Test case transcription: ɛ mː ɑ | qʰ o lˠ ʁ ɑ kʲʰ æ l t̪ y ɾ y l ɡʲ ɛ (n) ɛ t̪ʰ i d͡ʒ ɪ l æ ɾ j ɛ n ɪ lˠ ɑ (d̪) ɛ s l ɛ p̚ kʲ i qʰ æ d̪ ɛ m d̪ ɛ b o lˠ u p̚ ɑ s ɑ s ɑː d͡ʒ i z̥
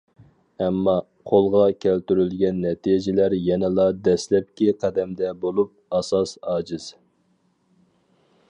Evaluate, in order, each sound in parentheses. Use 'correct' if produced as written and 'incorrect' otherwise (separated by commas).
incorrect, correct